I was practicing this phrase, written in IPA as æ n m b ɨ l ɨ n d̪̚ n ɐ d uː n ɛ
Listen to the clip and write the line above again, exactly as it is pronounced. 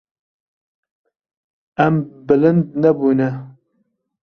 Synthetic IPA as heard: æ m b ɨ l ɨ n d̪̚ n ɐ b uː n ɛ